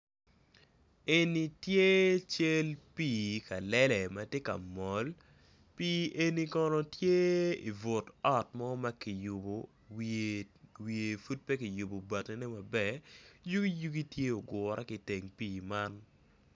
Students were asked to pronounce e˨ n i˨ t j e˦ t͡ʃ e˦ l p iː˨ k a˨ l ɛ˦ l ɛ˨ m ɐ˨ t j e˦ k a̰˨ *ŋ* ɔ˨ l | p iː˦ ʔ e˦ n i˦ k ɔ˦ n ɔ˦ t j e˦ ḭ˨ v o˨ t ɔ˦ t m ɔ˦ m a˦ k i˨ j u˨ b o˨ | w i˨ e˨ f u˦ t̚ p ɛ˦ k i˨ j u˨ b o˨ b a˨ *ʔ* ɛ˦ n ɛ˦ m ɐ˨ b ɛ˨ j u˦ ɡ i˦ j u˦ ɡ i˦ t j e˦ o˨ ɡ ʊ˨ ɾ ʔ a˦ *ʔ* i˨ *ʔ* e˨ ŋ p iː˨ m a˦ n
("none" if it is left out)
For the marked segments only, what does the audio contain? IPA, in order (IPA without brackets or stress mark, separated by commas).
m, t, k, t